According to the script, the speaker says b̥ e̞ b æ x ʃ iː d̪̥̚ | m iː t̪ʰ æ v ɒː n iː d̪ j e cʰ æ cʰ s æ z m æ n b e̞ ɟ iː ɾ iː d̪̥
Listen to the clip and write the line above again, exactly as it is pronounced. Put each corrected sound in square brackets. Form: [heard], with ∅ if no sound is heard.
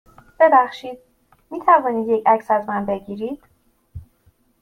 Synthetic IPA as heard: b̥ e̞ b æ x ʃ iː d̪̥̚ | m iː t̪ʰ æ v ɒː n iː d̪ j e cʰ æ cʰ s æ z m æ n b e̞ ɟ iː ɾ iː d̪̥